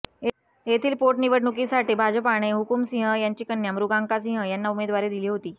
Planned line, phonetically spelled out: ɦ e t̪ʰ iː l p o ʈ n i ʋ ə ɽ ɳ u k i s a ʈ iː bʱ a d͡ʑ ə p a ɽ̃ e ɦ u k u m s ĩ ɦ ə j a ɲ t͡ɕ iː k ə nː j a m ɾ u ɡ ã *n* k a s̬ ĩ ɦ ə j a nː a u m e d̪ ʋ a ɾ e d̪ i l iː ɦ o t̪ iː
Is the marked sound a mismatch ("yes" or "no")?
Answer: yes